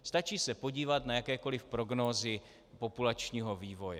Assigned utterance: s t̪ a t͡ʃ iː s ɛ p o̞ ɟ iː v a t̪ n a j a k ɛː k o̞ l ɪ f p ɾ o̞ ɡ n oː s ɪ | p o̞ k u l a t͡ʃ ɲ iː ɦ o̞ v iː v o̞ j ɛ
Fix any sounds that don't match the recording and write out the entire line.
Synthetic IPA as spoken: s t̪ a t͡ʃ iː s ɛ p o̞ ɟ iː v a t̪ n a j a k ɛː k o̞ l ɪ f p ɾ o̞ ɡ n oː z ɪ | p o̞ p u l a t͡ʃ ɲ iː ɦ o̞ v iː v o̞ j ɛ